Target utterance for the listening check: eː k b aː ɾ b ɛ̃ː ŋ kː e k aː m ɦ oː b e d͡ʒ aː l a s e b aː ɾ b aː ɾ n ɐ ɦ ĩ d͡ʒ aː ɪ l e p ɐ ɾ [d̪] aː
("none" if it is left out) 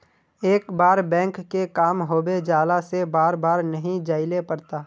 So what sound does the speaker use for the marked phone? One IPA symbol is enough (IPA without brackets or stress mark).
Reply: t̪